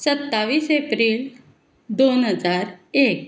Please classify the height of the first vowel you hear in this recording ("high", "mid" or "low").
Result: mid